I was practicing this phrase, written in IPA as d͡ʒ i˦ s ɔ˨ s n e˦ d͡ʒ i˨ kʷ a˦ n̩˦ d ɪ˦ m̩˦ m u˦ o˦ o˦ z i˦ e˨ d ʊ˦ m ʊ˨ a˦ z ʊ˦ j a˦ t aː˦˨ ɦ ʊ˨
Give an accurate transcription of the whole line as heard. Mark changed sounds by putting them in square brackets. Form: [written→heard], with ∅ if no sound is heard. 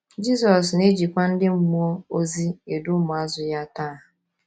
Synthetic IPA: d͡ʒ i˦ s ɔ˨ s n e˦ d͡ʒ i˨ kʷ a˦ n̩˦ d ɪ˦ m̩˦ m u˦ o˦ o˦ z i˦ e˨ d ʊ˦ m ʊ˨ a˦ z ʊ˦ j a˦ t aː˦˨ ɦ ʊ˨